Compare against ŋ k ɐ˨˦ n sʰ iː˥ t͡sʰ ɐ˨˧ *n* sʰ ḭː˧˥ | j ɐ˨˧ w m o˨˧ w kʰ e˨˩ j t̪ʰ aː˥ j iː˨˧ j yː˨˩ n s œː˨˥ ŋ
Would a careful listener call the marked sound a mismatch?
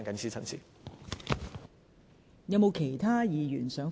no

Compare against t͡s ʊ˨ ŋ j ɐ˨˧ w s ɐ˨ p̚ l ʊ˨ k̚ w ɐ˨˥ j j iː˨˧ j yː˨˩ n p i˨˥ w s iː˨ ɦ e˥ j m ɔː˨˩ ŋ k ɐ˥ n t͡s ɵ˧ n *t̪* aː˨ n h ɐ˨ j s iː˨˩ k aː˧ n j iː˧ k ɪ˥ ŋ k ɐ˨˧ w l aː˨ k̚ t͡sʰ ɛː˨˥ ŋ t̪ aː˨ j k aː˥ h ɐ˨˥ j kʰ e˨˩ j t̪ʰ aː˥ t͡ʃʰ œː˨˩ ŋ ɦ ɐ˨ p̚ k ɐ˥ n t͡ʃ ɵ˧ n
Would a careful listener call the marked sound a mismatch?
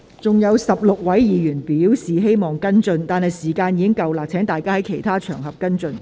no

